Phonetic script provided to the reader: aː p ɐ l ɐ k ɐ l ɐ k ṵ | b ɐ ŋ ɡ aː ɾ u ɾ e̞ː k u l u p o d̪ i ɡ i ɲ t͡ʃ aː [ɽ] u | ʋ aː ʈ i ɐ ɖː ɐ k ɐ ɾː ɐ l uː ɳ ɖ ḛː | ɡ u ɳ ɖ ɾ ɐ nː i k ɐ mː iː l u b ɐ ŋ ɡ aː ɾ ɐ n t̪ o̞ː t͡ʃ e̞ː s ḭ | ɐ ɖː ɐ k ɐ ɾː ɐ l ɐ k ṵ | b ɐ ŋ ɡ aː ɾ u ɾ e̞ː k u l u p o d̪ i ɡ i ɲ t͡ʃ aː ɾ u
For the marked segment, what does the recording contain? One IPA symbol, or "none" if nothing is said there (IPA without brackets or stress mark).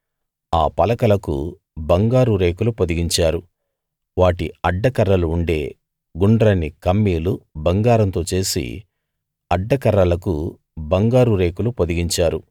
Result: ɾ